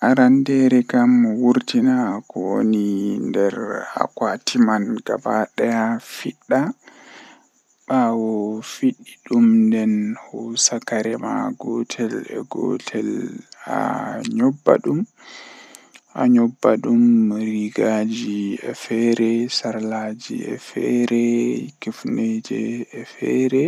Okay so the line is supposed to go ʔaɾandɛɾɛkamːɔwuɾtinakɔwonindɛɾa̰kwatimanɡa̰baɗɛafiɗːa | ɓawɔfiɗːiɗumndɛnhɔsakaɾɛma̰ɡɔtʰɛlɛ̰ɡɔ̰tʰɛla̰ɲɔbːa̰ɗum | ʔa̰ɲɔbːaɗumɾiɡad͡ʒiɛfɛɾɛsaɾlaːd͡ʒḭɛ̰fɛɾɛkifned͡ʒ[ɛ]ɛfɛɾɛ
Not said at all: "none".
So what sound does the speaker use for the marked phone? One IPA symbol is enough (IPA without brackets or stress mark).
ɛ